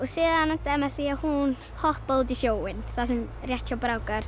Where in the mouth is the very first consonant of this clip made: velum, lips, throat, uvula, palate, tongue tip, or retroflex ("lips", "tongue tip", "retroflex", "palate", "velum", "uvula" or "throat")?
tongue tip